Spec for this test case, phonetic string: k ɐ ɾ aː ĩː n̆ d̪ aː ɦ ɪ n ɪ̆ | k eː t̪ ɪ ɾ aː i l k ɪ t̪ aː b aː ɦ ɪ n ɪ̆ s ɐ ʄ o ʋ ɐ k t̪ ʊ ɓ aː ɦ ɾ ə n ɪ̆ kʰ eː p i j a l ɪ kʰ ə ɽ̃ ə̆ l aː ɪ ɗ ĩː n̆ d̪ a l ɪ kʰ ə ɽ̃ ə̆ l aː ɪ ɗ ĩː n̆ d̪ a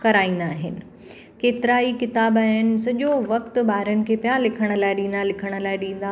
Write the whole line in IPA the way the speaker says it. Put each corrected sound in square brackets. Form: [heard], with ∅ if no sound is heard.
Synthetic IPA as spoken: k ɐ ɾ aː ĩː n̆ d̪ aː ɦ ɪ n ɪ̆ | k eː t̪ ɪ ɾ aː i [∅] k ɪ t̪ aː b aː ɦ ɪ n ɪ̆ s ɐ ʄ o ʋ ɐ k t̪ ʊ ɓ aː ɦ ɾ ə n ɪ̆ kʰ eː p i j a l ɪ kʰ ə ɽ̃ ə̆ l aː ɪ ɗ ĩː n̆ d̪ a l ɪ kʰ ə ɽ̃ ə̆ l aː ɪ ɗ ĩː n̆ d̪ a